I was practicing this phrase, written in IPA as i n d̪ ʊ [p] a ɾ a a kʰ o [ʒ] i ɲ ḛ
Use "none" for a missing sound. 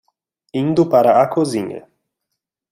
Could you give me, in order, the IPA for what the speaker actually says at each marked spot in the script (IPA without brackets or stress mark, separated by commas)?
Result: p, z